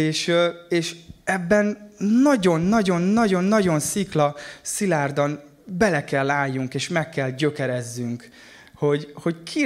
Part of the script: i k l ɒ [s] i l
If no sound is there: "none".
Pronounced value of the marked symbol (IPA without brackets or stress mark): s